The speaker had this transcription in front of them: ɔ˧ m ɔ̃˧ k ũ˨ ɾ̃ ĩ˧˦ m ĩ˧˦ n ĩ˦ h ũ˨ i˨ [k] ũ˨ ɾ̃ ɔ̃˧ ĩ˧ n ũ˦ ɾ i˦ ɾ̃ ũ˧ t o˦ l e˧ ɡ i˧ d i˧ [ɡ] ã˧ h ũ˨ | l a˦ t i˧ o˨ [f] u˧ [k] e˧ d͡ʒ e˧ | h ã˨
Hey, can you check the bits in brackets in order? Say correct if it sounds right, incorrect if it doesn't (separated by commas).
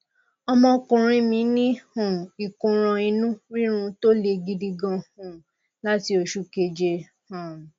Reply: correct, correct, incorrect, correct